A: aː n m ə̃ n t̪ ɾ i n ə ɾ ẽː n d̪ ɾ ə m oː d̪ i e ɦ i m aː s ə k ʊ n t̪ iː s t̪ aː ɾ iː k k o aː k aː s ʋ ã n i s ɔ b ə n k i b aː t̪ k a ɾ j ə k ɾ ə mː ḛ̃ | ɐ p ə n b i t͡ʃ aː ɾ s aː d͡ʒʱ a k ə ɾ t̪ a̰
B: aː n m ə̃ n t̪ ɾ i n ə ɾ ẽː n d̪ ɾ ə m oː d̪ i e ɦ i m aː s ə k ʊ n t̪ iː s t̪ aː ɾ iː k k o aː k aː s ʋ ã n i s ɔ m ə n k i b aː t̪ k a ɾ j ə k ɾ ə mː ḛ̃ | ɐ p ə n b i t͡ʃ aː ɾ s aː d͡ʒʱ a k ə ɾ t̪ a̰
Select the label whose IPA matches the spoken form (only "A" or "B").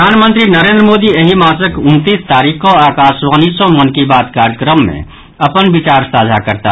B